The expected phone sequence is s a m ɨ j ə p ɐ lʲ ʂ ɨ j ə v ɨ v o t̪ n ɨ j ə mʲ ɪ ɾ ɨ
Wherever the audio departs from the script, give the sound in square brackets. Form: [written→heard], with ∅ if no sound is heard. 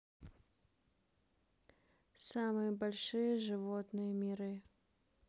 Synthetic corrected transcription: s a m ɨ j ə [p→b] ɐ lʲ ʂ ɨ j ə [v→ʐ] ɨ v o t̪ n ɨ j ə mʲ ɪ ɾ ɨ